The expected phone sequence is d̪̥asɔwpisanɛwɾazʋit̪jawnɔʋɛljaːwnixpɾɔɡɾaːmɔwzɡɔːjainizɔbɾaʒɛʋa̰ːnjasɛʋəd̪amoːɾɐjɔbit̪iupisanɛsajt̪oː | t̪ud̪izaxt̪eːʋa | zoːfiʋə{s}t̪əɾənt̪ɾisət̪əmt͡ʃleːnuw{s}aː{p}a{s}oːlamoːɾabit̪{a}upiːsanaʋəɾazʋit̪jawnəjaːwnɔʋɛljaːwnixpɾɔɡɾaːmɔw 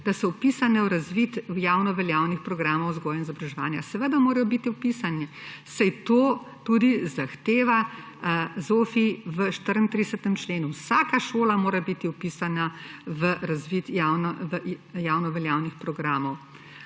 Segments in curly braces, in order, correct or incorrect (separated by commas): incorrect, correct, incorrect, incorrect, incorrect